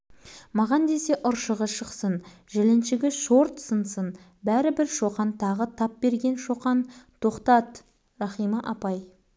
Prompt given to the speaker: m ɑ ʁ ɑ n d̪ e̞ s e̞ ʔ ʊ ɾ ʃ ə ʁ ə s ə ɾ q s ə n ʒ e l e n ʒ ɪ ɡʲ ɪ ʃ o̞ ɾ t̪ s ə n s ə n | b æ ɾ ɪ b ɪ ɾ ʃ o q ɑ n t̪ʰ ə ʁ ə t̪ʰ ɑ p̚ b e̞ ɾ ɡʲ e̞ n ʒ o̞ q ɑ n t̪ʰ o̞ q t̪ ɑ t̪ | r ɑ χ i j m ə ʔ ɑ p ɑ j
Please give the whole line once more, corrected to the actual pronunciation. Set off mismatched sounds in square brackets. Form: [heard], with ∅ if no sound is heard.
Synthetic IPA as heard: m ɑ ʁ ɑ n d̪ e̞ s e̞ ʔ ʊ ɾ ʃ ə ʁ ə [ʃ] ə [∅] q s ə n ʒ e l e n [ʃ] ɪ ɡʲ ɪ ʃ o̞ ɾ t̪ s ə n s ə n | b æ ɾ ɪ b ɪ ɾ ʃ o q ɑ n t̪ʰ [ɑ] ʁ ə t̪ʰ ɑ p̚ b e̞ ɾ ɡʲ e̞ n [ʃ] o̞ q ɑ n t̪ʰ o̞ q t̪ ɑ t̪ | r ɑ χ i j m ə ʔ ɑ p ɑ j